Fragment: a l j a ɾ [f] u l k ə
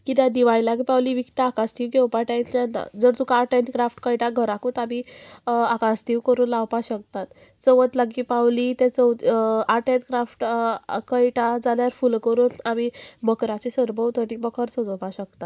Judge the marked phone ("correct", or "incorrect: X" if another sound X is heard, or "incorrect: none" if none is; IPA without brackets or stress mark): correct